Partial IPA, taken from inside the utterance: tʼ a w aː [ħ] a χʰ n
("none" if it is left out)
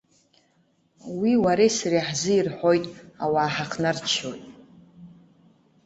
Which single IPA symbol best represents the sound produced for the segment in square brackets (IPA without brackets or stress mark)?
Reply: ħ